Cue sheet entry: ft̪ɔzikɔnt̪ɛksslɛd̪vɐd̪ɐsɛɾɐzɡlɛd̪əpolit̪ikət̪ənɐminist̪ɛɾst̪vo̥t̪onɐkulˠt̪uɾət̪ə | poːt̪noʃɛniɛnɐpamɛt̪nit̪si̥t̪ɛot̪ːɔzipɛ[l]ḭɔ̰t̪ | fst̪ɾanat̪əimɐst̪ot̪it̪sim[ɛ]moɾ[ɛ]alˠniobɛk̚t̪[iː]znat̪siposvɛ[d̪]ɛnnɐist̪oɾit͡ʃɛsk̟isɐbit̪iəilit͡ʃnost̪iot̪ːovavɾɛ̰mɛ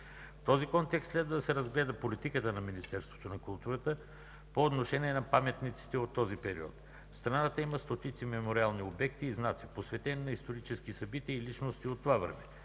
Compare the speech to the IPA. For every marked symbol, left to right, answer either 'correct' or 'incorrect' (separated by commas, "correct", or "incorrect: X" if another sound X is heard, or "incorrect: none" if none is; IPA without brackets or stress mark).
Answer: incorrect: ɾ, correct, incorrect: i, correct, incorrect: t̪